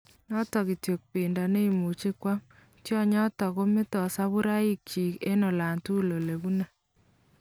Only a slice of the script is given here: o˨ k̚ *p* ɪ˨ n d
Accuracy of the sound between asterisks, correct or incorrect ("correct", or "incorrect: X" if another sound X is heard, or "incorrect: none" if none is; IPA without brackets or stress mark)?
correct